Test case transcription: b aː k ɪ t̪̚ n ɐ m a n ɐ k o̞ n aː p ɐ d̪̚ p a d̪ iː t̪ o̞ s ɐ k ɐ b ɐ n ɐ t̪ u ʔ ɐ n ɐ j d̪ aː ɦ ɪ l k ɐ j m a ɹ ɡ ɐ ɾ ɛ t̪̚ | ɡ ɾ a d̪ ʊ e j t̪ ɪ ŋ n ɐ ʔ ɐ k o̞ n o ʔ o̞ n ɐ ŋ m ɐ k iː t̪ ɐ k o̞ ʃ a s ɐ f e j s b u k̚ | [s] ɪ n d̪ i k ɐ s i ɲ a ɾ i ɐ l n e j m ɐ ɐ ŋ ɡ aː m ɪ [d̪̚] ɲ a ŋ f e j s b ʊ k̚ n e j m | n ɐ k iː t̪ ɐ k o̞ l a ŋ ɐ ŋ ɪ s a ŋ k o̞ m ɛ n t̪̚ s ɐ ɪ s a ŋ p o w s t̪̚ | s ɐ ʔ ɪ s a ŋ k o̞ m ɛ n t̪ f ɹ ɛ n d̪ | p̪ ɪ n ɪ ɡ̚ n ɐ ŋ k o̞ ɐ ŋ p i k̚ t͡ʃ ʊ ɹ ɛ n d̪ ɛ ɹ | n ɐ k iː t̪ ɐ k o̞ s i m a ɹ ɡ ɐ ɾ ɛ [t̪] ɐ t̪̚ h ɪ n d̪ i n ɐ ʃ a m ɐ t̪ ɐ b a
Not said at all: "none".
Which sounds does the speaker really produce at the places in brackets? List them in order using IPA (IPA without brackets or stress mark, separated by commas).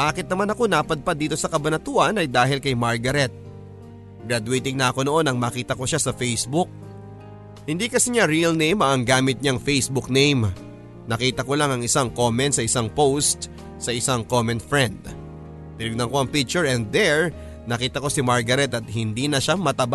h, t̪̚, t̪